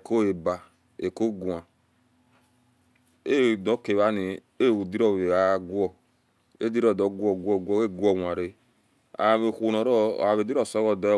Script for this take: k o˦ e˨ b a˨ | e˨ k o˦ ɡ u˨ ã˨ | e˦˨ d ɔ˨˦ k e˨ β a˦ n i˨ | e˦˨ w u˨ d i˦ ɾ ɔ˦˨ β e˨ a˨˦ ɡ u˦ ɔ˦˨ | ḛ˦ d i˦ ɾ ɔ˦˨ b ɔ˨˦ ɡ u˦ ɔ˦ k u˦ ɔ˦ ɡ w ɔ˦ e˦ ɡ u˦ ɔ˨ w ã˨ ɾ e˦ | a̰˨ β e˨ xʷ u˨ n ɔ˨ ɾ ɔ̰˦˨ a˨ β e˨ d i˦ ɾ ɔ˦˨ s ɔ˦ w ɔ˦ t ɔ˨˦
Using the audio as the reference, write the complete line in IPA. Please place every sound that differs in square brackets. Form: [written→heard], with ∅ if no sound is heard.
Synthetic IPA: k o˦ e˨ b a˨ | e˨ k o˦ ɡ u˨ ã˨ | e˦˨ d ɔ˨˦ k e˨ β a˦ n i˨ | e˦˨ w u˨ d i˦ ɾ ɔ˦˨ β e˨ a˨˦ ɡ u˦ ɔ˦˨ | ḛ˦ d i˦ ɾ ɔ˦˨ [b→d] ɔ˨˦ ɡ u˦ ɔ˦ [k→ɡ] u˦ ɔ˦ ɡ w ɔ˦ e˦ ɡ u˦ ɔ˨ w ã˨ ɾ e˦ | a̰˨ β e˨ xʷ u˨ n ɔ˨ ɾ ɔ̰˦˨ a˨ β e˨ d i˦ ɾ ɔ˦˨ s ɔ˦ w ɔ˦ [t→d] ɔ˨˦